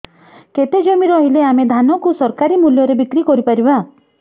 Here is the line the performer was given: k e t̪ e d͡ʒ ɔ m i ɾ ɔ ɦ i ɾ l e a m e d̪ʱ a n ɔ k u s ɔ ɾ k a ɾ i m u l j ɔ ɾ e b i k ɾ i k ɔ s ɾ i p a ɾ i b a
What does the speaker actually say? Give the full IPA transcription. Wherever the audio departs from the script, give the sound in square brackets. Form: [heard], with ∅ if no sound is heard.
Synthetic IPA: k e t̪ e d͡ʒ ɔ m i ɾ ɔ ɦ i [∅] l e a m e d̪ʱ a n ɔ k u s ɔ ɾ k a ɾ i m u l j ɔ ɾ e b i k ɾ i k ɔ [∅] ɾ i p a ɾ i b a